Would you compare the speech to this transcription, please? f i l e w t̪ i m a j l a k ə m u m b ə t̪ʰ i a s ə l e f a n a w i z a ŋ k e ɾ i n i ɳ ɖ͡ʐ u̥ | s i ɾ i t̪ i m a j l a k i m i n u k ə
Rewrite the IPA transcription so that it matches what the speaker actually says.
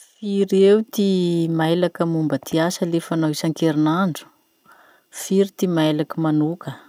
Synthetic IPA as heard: f i ɾ e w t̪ i m a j l a k ə m u m b ə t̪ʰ i a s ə l e f a n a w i s a ŋ k e ɾ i n a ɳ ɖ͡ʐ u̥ | f i ɾ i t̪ i m a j l a k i m a n u k ə